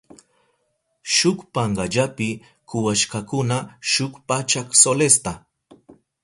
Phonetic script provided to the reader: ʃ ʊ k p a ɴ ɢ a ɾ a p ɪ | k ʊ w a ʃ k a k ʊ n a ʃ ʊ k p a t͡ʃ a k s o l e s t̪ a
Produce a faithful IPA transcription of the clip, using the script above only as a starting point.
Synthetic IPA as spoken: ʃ ʊ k p a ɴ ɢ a ʎ a p ɪ | k ʊ w a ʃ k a k ʊ n a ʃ ʊ k p a t͡ʃ a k s o l e s t̪ a